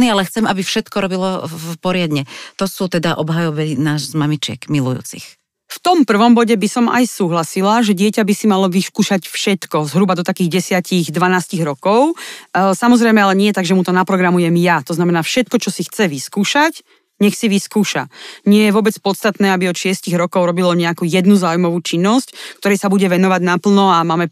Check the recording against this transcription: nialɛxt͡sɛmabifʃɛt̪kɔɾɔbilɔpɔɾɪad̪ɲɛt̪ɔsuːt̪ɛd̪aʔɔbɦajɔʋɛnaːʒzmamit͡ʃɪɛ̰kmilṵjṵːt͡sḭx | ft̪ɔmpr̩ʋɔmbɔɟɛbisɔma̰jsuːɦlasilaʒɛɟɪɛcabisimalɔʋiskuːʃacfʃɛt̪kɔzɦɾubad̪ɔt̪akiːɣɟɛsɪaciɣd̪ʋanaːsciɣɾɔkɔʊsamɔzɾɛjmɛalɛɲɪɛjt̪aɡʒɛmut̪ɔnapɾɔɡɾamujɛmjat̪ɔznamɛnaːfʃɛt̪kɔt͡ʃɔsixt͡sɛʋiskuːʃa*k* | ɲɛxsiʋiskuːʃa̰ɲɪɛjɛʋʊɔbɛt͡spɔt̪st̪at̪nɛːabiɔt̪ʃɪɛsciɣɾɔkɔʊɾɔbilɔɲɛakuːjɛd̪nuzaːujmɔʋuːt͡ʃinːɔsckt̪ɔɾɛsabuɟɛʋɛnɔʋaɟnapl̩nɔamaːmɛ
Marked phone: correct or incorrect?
incorrect